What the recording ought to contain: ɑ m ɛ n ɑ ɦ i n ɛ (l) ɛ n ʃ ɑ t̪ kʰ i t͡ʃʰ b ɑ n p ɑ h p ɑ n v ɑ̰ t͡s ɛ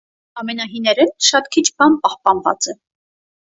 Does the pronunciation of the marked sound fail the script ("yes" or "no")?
yes